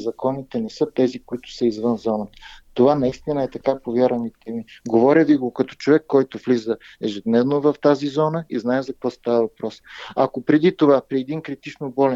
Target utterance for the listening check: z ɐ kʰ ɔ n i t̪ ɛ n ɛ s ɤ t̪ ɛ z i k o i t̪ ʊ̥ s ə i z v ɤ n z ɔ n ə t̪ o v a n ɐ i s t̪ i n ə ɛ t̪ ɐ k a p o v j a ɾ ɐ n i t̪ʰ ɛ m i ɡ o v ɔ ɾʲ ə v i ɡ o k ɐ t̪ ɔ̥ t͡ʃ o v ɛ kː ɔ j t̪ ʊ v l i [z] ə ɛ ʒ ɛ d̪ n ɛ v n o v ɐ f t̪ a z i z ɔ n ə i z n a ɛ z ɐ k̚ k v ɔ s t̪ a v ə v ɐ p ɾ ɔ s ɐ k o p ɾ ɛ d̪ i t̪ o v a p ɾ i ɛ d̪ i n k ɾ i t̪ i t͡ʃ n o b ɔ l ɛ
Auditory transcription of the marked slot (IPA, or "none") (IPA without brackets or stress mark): z